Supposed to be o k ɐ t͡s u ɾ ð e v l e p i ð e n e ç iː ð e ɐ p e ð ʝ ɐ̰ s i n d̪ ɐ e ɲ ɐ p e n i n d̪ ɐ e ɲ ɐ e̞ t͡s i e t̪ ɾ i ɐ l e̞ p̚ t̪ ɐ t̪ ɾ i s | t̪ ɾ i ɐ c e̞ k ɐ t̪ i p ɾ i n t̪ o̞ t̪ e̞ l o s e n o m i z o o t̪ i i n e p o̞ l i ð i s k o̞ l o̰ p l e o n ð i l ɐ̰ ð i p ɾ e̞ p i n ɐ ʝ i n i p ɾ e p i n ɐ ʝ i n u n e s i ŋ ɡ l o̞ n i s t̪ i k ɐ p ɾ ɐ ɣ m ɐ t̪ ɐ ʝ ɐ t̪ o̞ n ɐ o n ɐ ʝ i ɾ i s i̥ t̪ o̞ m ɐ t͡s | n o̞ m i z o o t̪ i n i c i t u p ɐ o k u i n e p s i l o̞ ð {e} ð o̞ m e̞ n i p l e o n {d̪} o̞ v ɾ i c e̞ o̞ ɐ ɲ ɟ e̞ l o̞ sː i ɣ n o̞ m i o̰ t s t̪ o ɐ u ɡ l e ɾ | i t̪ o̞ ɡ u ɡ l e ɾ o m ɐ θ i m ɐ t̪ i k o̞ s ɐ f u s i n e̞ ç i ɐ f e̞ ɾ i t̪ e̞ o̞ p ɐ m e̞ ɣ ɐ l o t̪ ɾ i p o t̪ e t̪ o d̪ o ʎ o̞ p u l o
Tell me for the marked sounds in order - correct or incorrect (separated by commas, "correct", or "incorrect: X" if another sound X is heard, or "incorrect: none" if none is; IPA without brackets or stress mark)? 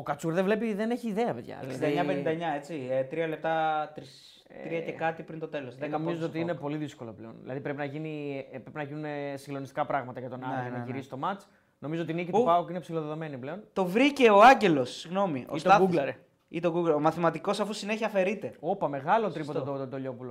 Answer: correct, incorrect: t̪